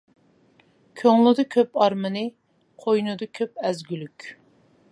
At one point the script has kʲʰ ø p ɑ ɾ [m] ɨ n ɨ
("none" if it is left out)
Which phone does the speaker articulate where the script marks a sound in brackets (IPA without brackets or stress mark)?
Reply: m